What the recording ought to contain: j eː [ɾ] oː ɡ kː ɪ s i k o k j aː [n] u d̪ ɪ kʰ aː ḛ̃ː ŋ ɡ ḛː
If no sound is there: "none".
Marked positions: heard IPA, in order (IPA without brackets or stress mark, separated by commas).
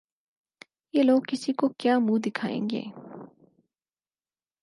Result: l, m